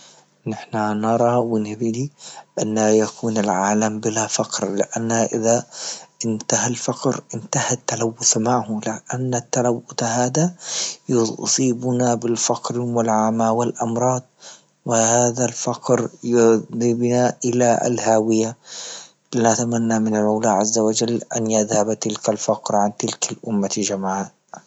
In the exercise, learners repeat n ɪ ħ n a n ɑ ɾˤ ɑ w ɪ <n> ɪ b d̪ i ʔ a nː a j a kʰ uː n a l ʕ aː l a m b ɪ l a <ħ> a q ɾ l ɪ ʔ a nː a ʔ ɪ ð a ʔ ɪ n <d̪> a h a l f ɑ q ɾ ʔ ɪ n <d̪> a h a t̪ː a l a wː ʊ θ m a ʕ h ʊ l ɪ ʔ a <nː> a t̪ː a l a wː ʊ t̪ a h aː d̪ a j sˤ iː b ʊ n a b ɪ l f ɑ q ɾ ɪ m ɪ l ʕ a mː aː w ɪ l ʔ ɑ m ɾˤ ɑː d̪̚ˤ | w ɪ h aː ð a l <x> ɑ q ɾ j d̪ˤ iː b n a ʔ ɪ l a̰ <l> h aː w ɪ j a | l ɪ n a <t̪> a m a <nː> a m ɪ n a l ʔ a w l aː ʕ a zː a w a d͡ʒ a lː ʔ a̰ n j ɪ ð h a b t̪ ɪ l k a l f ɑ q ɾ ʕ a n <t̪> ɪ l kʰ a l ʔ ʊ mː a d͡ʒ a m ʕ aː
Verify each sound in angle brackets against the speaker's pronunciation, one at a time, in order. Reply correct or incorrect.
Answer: correct, incorrect: f, incorrect: t̪, incorrect: t̪, correct, incorrect: f, correct, correct, correct, correct

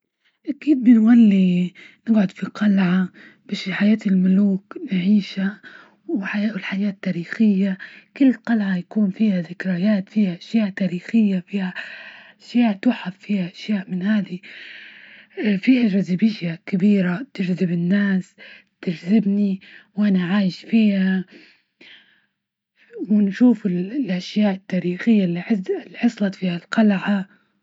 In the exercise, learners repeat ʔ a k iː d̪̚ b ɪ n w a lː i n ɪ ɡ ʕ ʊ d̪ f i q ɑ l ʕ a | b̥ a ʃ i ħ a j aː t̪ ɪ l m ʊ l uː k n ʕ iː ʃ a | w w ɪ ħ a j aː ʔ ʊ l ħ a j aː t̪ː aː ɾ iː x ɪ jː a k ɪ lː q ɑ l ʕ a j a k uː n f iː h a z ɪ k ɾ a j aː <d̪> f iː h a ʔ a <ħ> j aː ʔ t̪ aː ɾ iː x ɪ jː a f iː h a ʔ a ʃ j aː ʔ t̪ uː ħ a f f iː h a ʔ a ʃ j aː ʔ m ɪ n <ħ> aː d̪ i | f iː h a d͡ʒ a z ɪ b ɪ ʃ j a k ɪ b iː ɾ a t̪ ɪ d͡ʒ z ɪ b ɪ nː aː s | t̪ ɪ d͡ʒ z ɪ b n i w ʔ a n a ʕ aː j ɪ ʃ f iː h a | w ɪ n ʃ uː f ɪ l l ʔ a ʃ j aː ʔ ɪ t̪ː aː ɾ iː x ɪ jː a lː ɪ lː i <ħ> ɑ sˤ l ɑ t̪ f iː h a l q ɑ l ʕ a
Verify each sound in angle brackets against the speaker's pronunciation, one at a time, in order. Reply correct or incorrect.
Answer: incorrect: t̪, incorrect: ʃ, incorrect: h, correct

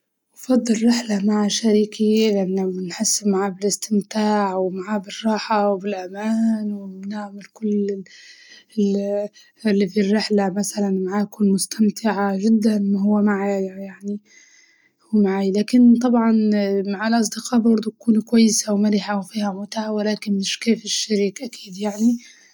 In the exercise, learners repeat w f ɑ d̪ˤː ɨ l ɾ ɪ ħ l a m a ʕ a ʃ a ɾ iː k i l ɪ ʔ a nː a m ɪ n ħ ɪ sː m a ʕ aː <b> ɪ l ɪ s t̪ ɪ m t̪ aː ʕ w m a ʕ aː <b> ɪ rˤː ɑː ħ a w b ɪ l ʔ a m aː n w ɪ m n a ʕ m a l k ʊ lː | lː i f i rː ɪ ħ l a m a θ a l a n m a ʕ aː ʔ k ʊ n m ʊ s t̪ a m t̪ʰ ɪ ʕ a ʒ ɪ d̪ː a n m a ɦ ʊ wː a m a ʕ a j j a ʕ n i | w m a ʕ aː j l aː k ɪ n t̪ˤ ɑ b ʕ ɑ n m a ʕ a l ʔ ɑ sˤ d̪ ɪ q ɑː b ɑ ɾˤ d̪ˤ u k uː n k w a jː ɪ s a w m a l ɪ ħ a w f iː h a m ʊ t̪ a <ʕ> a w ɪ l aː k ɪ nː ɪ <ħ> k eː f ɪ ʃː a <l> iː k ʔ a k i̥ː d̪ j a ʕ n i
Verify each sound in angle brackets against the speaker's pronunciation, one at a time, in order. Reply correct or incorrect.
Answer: correct, correct, correct, incorrect: ʃ, incorrect: ɾ

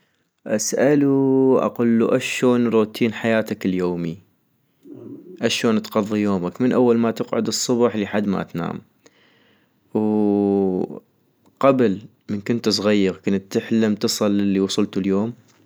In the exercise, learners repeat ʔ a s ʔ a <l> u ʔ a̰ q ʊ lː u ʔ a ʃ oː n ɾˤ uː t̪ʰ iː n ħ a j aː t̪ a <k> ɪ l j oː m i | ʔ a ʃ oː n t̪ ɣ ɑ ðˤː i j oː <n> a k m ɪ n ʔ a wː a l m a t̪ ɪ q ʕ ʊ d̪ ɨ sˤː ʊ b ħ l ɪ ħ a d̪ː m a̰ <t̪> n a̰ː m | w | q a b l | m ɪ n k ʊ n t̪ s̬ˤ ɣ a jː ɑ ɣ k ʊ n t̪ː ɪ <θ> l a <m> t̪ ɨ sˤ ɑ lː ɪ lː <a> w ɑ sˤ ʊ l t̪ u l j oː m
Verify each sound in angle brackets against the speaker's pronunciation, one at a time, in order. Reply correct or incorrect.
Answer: correct, correct, incorrect: m, correct, incorrect: ħ, correct, incorrect: i

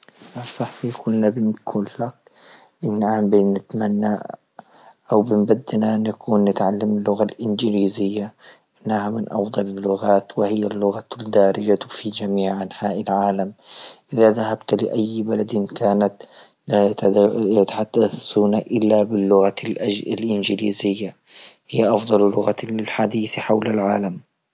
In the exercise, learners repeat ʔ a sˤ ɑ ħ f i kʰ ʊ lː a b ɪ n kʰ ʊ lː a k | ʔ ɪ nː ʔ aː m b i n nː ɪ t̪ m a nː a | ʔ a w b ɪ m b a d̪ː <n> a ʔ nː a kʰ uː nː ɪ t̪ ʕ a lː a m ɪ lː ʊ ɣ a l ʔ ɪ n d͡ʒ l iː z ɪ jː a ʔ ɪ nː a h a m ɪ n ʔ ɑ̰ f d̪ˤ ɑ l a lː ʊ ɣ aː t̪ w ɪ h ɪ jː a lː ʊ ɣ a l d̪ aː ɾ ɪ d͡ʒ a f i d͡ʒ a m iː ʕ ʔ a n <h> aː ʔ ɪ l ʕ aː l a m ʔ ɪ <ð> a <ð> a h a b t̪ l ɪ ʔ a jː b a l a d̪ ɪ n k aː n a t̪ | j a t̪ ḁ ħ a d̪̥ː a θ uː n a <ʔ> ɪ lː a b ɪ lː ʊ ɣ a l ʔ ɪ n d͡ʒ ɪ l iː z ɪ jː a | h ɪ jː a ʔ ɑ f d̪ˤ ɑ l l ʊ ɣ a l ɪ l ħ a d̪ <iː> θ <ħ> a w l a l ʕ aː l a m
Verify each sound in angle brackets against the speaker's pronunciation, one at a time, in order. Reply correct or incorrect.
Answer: correct, incorrect: ħ, correct, correct, correct, correct, correct

